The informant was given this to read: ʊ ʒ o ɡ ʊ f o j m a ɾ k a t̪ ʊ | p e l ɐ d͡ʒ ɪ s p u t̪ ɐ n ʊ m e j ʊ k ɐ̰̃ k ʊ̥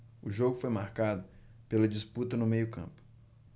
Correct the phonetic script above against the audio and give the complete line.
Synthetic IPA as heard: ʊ ʒ o ɡ ʊ f o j m a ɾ k a d̪ ʊ | p e l ɐ d͡ʒ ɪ s p u t̪ ɐ n ʊ m e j ʊ k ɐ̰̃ p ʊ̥